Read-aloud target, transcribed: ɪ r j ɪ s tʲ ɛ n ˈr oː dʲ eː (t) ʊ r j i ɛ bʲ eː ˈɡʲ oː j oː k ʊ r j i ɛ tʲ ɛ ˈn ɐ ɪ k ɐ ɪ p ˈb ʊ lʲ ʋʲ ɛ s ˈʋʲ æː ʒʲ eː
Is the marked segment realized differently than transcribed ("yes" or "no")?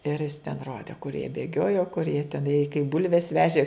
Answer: yes